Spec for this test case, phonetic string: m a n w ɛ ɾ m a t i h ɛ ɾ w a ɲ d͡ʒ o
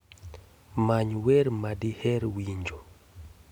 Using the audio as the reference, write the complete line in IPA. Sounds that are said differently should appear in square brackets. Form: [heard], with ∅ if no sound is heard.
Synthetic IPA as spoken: m a [ɲ] w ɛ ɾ m a [d] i h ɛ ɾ w [i] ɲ d͡ʒ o

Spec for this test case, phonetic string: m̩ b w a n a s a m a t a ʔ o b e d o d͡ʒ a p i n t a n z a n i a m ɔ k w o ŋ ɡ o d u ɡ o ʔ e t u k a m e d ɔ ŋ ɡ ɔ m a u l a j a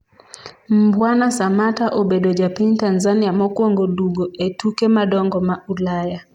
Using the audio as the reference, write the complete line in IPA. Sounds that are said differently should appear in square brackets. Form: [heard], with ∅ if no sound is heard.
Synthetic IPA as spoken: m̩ b w a n a s a m a t a ʔ o b e d o d͡ʒ a p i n t a n z a n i a m ɔ k w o ŋ ɡ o d u ɡ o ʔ e t u k [e] m [a] d ɔ ŋ ɡ ɔ m a u l a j a

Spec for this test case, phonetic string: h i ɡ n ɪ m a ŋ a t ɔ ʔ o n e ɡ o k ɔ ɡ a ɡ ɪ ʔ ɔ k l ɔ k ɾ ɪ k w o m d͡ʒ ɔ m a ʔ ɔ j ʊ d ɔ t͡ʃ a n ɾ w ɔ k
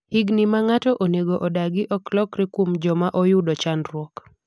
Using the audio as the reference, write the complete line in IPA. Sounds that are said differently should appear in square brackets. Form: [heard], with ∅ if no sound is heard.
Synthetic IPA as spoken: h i ɡ n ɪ m a ŋ a t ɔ ʔ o n e ɡ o [ʔ] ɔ [d] a ɡ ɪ ʔ ɔ k l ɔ k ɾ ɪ k w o m d͡ʒ ɔ m a ʔ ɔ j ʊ d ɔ t͡ʃ a n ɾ w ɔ k

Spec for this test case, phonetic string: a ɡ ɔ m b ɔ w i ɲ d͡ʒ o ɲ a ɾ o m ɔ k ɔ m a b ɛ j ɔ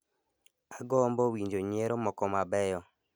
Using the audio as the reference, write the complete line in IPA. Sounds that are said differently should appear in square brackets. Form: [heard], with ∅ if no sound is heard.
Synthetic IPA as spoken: a ɡ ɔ m b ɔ w i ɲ d͡ʒ o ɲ [e] ɾ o m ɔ k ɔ m a b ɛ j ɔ

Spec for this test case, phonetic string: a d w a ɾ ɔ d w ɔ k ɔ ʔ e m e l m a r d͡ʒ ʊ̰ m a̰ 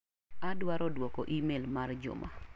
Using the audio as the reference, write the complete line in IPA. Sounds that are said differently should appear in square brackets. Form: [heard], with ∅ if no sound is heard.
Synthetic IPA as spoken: a d w a ɾ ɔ d w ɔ k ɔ ʔ [i] m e l m a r d͡ʒ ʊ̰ m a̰

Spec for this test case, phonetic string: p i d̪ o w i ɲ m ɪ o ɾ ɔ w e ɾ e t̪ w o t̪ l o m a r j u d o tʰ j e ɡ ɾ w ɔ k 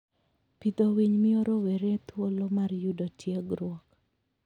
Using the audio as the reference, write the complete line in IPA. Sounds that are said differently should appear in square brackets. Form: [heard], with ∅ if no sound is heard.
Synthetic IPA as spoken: p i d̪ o w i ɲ m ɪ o ɾ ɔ w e ɾ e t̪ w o [∅] l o m a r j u d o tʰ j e ɡ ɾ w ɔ k

